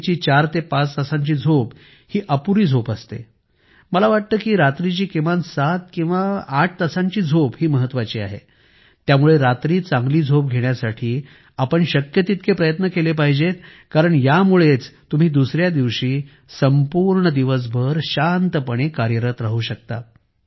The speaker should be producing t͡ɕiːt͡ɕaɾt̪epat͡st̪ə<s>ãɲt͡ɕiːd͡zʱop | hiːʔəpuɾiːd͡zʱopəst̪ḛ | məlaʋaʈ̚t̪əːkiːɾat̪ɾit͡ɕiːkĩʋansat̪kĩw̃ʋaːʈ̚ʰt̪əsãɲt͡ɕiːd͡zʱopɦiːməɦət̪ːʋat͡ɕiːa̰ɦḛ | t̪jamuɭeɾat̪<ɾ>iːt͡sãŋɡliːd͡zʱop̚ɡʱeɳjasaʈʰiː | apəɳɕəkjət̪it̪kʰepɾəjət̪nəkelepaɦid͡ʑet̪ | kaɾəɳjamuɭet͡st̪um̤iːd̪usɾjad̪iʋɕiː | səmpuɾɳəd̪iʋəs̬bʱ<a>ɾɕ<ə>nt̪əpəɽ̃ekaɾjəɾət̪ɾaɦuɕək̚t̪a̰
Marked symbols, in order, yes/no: yes, yes, no, no

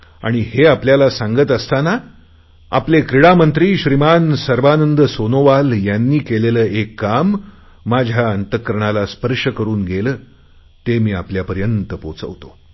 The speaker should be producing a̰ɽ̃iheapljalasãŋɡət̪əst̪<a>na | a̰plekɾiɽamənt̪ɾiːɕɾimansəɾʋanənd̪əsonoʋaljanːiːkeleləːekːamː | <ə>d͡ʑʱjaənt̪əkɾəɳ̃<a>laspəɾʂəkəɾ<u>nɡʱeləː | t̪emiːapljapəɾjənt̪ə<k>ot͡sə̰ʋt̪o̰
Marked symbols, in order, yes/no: yes, no, yes, no, no

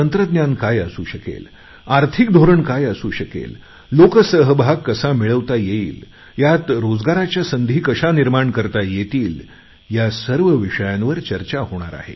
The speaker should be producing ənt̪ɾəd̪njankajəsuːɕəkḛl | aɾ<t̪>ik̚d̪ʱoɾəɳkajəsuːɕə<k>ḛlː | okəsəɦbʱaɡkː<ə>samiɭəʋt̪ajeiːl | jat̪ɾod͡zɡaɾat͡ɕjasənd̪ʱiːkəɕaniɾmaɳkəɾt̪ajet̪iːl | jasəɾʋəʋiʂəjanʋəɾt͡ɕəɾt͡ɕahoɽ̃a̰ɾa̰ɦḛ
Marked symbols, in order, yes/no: no, yes, yes

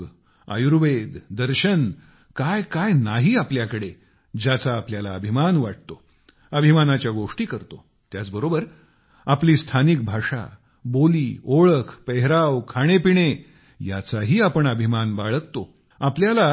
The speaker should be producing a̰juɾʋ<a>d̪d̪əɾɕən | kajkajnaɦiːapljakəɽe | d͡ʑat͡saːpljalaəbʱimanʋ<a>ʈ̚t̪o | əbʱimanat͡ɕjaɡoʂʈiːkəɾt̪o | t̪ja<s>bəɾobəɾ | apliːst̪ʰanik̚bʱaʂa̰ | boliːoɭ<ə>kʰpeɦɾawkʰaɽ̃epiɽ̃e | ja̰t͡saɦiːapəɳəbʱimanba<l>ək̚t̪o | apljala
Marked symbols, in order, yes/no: no, yes, no, yes, no

